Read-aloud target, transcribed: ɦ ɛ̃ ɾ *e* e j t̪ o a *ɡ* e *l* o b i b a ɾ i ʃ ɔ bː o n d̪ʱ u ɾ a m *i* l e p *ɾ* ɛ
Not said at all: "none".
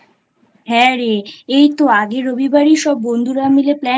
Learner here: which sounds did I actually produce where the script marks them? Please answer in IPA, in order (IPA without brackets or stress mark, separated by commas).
e, ɡ, ɾ, i, l